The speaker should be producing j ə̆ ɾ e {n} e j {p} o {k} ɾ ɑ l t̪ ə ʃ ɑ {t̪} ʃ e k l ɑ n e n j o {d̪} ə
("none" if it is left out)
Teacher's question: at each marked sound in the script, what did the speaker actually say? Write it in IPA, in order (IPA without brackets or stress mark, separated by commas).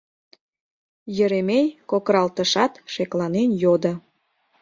m, k, k, t̪, d̪